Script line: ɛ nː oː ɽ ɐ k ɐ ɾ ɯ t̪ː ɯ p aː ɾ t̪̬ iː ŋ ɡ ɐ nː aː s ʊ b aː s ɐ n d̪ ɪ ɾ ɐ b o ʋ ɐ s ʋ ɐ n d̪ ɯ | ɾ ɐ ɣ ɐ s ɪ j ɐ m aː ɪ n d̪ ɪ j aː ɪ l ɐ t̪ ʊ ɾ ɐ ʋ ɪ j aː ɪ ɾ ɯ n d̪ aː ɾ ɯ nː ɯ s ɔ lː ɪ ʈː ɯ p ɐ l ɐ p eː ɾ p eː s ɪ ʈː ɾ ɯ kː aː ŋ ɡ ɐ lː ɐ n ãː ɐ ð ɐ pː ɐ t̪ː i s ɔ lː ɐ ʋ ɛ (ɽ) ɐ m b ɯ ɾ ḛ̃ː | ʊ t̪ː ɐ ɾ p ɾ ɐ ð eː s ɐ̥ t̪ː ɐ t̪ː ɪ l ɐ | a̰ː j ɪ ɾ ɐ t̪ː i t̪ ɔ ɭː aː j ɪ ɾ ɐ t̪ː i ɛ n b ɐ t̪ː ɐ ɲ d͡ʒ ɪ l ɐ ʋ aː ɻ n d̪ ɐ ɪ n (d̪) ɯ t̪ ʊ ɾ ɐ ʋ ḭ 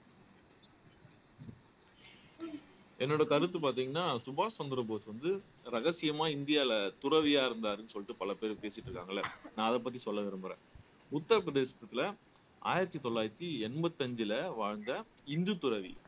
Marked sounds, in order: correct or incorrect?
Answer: incorrect, correct

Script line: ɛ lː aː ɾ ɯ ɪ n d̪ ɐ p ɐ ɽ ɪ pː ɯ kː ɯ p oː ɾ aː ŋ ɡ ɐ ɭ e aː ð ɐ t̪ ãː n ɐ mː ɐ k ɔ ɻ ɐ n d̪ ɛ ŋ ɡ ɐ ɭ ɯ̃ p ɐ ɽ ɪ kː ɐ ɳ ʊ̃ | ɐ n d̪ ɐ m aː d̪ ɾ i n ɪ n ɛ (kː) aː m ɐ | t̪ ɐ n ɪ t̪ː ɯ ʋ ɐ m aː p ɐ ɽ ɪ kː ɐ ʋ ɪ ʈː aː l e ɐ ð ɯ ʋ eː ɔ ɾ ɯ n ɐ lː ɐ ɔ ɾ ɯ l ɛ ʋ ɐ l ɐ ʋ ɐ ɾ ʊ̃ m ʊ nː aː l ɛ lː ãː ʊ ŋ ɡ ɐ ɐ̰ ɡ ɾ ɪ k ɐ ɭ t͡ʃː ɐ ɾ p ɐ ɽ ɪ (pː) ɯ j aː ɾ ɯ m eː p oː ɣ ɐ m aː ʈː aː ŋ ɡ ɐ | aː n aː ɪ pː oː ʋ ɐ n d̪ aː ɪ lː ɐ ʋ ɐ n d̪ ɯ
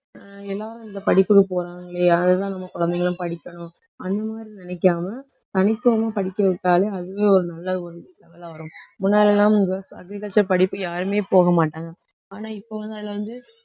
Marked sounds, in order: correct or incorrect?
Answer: correct, correct

